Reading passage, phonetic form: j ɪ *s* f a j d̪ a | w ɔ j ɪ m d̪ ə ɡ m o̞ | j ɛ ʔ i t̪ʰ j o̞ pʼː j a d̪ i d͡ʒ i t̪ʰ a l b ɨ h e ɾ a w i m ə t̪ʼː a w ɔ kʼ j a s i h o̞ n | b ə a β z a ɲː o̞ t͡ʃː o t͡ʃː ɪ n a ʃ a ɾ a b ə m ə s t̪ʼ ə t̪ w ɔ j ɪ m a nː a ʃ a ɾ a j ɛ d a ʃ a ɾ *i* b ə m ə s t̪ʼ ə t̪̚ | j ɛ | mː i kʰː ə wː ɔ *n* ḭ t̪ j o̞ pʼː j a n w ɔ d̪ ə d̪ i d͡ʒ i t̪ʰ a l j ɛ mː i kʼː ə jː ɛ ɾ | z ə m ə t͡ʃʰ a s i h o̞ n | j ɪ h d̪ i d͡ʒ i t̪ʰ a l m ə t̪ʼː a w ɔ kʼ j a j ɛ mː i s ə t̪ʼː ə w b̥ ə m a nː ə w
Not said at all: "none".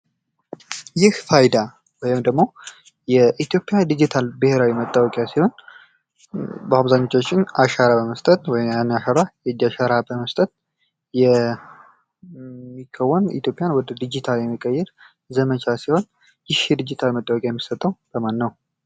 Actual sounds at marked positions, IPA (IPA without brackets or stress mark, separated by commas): h, a, n